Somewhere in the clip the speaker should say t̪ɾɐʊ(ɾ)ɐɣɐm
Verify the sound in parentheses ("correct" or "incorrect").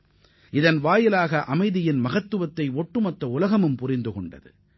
incorrect